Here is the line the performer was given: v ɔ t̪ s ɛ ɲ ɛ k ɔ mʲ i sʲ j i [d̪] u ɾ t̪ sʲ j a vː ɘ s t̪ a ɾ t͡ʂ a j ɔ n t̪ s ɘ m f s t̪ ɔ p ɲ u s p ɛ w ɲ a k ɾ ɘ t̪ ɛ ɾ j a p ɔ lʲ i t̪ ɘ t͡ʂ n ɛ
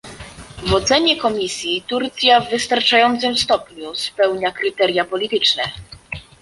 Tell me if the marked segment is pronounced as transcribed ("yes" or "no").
no